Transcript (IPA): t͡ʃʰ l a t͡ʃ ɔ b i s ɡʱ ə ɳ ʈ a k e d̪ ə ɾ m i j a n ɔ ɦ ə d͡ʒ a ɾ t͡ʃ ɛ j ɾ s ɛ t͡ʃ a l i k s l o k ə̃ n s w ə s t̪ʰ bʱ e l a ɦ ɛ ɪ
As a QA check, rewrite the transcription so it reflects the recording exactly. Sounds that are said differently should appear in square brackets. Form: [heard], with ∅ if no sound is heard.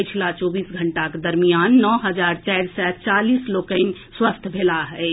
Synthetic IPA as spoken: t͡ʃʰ l a t͡ʃ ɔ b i s ɡʱ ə ɳ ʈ a k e d̪ ə ɾ m i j a [nː] ɔ ɦ ə d͡ʒ a ɾ t͡ʃ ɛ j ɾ s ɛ t͡ʃ a l i [∅] s l o k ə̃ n s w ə s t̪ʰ bʱ e l a ɦ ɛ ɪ